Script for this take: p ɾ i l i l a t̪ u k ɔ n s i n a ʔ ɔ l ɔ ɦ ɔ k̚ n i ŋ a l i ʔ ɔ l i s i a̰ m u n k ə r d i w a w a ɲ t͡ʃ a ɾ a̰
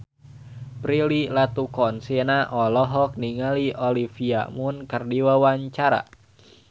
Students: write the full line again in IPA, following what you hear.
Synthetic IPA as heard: p ɾ i l i l a t̪ u k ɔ n s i n a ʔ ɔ l ɔ ɦ ɔ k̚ n i ŋ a l i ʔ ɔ l i f i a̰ m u n k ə r d i w a w a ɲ t͡ʃ a ɾ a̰